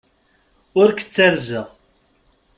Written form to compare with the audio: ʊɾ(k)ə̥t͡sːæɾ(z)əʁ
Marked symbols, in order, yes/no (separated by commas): yes, yes